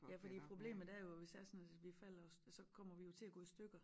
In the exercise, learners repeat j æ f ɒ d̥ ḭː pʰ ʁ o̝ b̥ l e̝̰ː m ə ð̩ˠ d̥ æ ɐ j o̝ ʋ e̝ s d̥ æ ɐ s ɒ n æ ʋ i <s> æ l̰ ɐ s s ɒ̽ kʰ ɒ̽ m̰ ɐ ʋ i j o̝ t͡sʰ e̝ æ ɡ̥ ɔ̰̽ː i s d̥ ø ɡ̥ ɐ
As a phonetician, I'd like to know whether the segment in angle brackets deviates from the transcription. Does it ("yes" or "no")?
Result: yes